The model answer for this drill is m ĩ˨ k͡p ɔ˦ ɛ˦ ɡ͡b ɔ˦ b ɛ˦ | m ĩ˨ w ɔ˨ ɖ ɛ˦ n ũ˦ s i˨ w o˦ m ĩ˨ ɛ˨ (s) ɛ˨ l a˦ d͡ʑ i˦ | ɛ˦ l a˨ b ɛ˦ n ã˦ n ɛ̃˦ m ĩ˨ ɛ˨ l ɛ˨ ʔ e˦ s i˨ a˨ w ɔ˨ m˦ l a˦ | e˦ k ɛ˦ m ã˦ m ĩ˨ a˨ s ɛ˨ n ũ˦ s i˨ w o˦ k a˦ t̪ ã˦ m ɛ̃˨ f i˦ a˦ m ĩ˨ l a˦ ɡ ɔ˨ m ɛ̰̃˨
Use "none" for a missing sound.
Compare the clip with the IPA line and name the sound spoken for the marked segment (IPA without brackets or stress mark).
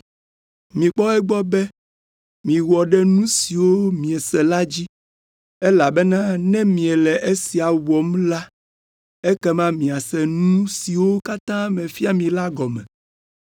s